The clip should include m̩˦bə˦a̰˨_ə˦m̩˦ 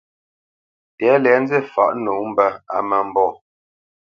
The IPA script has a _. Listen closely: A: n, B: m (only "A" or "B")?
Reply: B